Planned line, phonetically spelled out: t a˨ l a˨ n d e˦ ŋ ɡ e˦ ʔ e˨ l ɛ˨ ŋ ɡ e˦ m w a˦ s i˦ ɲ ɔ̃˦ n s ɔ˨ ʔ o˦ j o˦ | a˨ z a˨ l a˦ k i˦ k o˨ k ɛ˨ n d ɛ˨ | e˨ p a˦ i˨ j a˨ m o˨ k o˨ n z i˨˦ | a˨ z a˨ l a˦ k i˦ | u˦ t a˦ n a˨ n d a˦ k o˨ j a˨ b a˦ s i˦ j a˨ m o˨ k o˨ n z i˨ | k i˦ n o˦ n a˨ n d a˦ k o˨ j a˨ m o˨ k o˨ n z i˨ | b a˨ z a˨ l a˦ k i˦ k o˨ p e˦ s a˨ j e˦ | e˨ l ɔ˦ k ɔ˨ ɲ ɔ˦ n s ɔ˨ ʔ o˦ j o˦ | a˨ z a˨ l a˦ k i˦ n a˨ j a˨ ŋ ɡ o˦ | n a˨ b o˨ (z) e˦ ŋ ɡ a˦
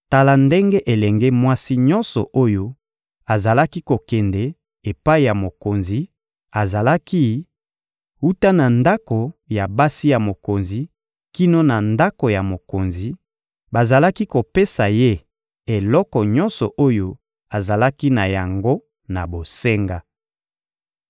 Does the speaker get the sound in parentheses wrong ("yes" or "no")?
yes